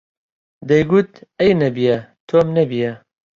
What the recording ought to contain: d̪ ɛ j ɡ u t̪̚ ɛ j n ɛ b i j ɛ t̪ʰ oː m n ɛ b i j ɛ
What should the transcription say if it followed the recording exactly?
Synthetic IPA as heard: d̪ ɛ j ɡ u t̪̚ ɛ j n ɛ b i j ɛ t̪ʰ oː m n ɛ b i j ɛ